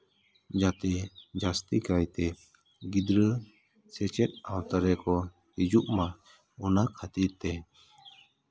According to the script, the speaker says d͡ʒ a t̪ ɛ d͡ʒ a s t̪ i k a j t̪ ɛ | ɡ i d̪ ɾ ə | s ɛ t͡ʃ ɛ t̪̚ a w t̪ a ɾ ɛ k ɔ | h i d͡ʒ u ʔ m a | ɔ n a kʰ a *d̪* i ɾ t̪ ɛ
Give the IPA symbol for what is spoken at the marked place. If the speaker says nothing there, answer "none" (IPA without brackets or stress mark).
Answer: t̪